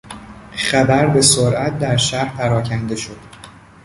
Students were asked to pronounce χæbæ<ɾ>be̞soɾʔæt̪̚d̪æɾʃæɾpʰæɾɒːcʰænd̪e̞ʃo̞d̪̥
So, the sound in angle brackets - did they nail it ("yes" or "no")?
yes